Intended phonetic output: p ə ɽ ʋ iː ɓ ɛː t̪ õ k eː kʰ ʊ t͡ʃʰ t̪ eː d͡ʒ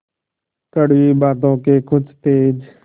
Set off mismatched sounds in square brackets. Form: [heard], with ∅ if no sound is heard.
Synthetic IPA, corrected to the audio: [k] ə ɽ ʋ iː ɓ [aː] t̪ [õː] k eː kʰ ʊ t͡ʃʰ t̪ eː d͡ʒ